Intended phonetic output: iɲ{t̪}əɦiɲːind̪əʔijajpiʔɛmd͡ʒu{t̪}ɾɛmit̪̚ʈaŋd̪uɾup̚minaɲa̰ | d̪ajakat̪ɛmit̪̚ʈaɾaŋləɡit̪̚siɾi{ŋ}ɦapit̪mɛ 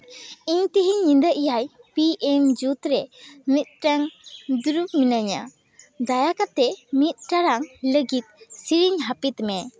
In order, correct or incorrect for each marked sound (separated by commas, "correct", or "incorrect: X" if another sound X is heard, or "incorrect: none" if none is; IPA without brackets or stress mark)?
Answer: correct, correct, incorrect: ɲ